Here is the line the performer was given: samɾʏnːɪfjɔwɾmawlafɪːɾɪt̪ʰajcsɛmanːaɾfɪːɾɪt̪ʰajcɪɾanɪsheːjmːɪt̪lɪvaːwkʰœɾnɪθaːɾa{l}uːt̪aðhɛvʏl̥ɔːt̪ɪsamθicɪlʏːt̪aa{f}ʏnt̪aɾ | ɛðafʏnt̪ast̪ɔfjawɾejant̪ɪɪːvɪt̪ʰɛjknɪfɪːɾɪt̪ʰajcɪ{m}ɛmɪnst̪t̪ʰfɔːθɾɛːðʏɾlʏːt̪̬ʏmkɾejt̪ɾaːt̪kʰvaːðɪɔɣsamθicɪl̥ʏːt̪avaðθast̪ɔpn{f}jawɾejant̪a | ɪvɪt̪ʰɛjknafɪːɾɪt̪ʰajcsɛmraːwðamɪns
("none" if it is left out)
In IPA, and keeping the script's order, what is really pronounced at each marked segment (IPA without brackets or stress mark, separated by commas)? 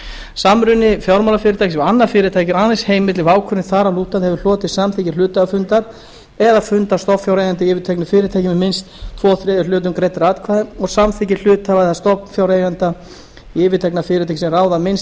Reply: l, f, m, f